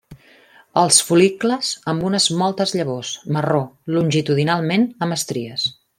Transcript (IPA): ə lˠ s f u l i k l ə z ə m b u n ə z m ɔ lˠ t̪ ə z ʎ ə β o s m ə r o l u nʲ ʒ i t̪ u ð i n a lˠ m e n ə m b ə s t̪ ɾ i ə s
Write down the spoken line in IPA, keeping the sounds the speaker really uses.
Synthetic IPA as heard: ə lˠ s f u l i k l ə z ə m b u n ə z m ɔ lˠ t̪ ə z ʎ ə β o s m ə r o l u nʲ ʒ i t̪ u ð i n a lˠ m e n ə m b ə s t̪ ɾ i ə s

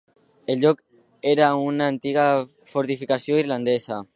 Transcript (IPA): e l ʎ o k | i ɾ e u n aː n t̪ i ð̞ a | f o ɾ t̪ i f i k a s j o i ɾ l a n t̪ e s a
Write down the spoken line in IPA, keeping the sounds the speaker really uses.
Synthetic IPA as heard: e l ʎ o k | e ɾ a u n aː n t̪ i ɣ̞ a | f o ɾ t̪ i f i k a s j o i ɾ l a n d̪ e s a

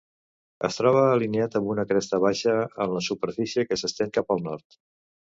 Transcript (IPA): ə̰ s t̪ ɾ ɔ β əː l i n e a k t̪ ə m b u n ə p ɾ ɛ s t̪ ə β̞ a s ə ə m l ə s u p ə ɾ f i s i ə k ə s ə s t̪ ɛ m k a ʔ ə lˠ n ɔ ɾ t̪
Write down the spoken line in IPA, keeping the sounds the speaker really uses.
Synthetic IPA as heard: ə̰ s t̪ ɾ ɔ β əː l i n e a t̪ ə m b u n ə k ɾ ɛ s t̪ ə β̞ a ʃ ə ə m l ə s u p ə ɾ f i s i ə k ə s ə s t̪ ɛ ŋ k a p ə lˠ n ɔ ɾ t̪

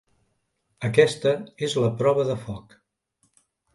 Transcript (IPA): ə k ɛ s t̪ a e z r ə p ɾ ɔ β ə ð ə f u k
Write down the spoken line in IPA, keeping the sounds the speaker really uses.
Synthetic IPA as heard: ə k ɛ s t̪ ə e z l ə p ɾ ɔ β ə ð ə f ɔ k

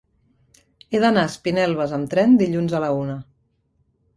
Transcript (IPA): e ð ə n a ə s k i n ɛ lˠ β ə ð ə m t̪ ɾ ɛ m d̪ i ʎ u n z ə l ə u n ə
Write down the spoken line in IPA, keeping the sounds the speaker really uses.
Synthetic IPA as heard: e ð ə n a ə s p i n ɛ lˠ β ə z ə m t̪ ɾ ɛ n d̪ i ʎ u n z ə l ə u n ə

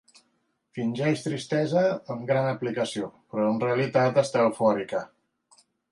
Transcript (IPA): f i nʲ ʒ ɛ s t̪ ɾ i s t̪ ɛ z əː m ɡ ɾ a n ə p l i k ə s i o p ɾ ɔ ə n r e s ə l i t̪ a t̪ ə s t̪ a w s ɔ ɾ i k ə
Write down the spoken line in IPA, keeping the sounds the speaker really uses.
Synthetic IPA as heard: f i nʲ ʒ ɛ ʃ t̪ ɾ i s t̪ ɛ z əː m ɡ ɾ a n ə p l i k ə s i o p ɾ ɔ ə n r e ə l i t̪ a t̪ ə s t̪ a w f ɔ ɾ i k ə

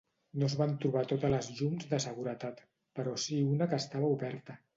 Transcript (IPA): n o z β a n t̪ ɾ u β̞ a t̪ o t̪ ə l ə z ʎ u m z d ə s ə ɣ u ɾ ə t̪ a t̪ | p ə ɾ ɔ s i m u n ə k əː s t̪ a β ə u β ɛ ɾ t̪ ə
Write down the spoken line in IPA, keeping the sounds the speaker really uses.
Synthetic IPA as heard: n o z β a n t̪ ɾ u β̞ a t̪ o t̪ ə l ə z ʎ u m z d ə s ə ɣ u ɾ ə t̪ a t̪ | p ə ɾ ɔ s i u n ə k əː s t̪ a β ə u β ɛ ɾ t̪ ə

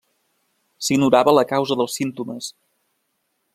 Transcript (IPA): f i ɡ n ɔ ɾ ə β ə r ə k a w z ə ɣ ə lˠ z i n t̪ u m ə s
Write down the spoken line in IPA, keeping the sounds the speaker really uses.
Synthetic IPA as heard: s i ɡ n u ɾ a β ə l ə k a w z ə ð ə lˠ s i n t̪ u m ə s

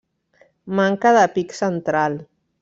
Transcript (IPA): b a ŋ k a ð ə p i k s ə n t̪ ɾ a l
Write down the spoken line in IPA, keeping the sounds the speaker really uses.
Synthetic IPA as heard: m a ŋ k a ð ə p i k s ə n t̪ ɾ a l

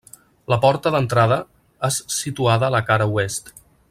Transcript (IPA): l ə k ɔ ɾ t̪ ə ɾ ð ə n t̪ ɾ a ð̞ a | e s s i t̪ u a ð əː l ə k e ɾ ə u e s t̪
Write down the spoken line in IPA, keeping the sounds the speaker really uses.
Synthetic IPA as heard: l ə p ɔ ɾ t̪ ə ð ə n t̪ ɾ a ð̞ ə | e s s i t̪ u a ð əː l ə k a ɾ ə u e s t̪

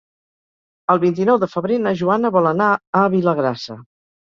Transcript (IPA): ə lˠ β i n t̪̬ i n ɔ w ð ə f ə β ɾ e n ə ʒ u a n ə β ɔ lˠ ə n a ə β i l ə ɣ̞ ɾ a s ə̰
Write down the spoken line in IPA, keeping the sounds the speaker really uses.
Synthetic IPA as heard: ə lˠ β i n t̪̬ i n ɔ w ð ə f ə β ɾ e n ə ʒ u a n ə β ɔ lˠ ə n a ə β i l ə ɣ̞ ɾ a s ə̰

